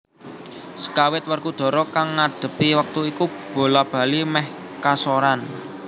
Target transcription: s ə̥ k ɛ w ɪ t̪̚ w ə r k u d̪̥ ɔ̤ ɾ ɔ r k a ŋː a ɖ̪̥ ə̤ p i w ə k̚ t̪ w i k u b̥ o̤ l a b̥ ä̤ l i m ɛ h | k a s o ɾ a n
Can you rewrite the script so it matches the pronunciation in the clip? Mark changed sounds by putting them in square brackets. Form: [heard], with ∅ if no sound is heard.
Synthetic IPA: s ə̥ k [a] w ɪ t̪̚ w ə r k u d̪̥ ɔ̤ ɾ ɔ [∅] k a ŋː a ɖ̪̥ ə̤ p i w ə k̚ t̪ [u] i k u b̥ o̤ l a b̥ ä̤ l i m ɛ h | k a s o ɾ a n